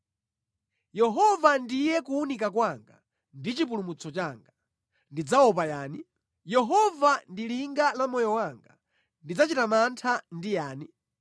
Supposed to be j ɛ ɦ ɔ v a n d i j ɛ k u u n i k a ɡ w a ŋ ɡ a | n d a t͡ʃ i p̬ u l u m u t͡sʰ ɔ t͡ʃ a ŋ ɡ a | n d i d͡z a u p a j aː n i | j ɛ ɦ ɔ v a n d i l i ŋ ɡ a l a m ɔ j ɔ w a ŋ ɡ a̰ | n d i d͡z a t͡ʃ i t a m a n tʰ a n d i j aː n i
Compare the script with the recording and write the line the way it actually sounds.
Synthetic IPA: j ɛ ɦ ɔ v a n d i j ɛ k u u n i k a k w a ŋ ɡ a | n d i t͡ʃ i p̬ u l u m u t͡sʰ ɔ t͡ʃ a ŋ ɡ a | n d i d͡z a ɔ p a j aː n i | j ɛ ɦ ɔ v a n d i l i ŋ ɡ a l a m ɔ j ɔ w a ŋ ɡ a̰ | n d i d͡z a t͡ʃ i t a m a n tʰ a n d i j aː n i